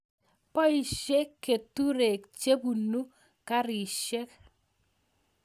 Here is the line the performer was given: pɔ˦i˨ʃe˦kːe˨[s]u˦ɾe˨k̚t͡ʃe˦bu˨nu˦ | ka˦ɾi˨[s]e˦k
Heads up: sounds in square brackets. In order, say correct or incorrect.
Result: incorrect: t, incorrect: ʃ

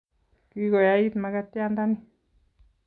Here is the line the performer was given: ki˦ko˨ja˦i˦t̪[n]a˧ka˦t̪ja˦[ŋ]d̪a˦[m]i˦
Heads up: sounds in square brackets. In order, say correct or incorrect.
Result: incorrect: m, incorrect: n, incorrect: n

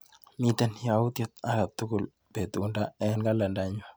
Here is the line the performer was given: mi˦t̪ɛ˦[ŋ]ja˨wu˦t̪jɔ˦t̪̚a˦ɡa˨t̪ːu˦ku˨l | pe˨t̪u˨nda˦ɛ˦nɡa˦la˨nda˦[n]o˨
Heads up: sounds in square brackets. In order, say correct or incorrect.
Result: incorrect: n, incorrect: ɲ

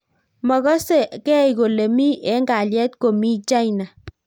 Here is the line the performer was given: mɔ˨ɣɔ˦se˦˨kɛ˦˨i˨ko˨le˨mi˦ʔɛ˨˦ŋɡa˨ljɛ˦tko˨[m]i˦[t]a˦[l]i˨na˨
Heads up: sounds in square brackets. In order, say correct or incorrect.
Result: correct, incorrect: t͡ʃ, incorrect: none

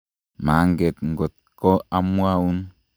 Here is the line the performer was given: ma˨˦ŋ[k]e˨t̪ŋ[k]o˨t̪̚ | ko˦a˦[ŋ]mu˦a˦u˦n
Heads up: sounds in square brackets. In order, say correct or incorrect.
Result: incorrect: ɡ, incorrect: ɡ, incorrect: none

